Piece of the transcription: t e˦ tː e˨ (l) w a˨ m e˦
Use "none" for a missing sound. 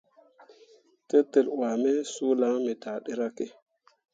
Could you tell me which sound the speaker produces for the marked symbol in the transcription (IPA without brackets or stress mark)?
l